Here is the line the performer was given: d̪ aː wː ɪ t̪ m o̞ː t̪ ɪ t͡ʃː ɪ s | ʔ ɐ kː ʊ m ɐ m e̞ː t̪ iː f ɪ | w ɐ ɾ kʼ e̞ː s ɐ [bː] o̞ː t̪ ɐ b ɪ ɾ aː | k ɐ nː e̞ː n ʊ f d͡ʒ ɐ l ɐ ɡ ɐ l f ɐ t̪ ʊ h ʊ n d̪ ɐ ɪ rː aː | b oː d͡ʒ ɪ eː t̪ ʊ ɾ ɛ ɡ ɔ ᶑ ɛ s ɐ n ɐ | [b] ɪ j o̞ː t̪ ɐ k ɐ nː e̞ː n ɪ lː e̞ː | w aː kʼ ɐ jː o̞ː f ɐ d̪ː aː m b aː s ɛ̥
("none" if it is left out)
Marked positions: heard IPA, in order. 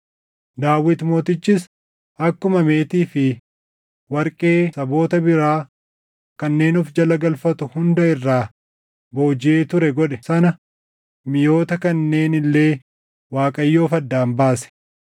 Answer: b, m

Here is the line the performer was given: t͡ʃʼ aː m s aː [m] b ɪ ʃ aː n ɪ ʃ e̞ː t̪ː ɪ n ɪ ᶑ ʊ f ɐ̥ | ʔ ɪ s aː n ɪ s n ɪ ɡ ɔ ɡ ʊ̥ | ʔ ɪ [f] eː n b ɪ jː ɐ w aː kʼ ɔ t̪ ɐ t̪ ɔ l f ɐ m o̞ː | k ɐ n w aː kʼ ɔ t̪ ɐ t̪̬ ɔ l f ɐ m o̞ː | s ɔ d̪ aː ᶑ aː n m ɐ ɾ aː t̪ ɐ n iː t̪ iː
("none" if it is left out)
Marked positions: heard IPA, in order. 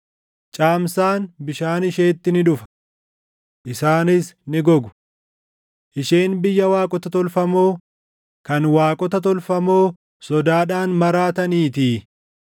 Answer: n, ʃ

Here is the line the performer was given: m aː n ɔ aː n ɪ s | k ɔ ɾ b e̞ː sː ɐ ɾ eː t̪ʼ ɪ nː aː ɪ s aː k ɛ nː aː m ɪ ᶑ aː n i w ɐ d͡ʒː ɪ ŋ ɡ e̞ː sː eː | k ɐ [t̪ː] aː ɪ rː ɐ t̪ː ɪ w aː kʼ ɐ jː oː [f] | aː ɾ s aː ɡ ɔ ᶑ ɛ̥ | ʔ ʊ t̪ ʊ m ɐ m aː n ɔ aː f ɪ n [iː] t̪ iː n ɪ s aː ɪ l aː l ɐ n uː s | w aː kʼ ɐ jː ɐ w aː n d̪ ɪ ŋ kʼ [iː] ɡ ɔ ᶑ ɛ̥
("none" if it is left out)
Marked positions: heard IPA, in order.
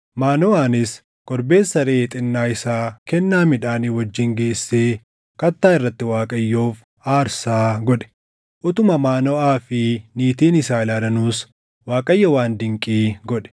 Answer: t̪ː, f, iː, iː

